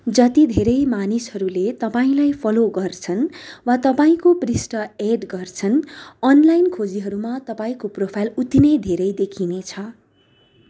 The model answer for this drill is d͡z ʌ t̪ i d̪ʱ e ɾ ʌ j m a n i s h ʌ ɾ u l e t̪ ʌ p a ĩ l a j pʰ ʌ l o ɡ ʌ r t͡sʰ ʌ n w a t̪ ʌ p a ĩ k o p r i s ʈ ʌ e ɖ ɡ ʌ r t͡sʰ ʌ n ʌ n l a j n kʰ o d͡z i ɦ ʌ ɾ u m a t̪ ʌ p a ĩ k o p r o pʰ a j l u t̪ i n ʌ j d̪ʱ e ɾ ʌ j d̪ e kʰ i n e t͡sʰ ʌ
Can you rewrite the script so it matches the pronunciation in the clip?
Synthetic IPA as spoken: d͡z ʌ t̪ i d̪ʱ e ɾ ʌ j m a n i s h ʌ ɾ u l e t̪ ʌ p a ĩ l a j pʰ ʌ l o ɡ ʌ r t͡sʰ ʌ n w a t̪ ʌ p a ĩ k o p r i s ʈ ʌ e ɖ ɡ ʌ r t͡sʰ ʌ n ʌ n l a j n kʰ o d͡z i ɦ ʌ ɾ u m a t̪ ʌ p a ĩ k o p r o pʰ a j l u t̪ i n ʌ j d̪ʱ e ɾ ʌ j d̪ e kʰ i n e t͡sʰ ʌ